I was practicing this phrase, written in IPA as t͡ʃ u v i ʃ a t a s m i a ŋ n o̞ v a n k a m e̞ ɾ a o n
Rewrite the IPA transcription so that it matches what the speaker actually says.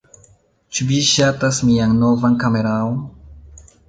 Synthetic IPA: t͡ʃ u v i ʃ a t a s m i a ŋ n o̞ v a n k a m e̞ ɾ a o n